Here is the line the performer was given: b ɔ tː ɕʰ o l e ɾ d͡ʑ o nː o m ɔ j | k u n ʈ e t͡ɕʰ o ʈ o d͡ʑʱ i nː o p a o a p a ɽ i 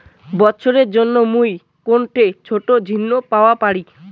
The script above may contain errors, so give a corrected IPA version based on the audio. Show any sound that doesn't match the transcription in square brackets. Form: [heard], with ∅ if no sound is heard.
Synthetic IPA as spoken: b ɔ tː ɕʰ o [ɾ] e ɾ d͡ʑ o nː o m [u] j | k [o] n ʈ e t͡ɕʰ o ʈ o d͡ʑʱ i nː o p a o a p a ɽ i